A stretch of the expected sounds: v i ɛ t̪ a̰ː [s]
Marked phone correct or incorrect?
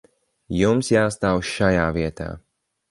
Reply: incorrect: none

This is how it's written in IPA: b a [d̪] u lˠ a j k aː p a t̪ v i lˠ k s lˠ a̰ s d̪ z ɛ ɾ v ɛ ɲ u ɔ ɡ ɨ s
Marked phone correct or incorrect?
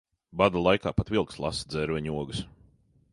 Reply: correct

